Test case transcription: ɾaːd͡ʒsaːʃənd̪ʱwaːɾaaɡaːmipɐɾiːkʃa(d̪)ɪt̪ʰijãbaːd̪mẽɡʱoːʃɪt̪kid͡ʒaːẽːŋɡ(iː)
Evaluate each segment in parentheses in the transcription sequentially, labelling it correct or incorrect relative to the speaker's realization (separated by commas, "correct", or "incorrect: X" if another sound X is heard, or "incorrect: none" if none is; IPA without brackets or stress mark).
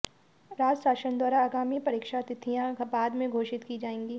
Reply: incorrect: t̪, correct